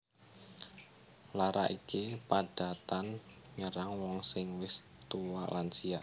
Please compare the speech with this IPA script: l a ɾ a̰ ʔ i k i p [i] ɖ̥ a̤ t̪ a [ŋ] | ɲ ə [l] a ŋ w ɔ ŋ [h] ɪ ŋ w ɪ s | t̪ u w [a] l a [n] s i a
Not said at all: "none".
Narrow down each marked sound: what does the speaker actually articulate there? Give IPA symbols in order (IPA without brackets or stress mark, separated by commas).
a, n, ɾ, s, a, n